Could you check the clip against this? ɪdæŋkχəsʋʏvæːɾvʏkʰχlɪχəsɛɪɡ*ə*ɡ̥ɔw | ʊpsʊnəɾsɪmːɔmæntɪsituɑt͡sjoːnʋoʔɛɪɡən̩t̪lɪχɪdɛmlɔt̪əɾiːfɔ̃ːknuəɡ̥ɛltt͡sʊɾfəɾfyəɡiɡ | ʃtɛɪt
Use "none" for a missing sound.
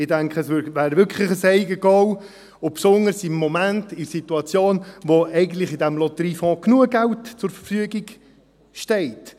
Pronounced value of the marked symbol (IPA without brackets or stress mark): ə